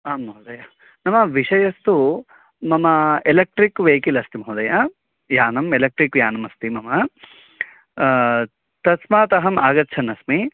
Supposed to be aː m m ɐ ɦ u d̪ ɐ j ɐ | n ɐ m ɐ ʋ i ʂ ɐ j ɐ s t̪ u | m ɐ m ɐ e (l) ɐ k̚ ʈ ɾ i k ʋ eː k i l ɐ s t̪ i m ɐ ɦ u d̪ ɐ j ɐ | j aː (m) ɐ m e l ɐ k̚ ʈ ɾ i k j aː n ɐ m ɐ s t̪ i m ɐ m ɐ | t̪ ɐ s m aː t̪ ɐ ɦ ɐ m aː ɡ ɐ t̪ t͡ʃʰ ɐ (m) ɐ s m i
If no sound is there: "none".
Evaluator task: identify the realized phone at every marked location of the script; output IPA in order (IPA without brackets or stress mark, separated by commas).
l, n, n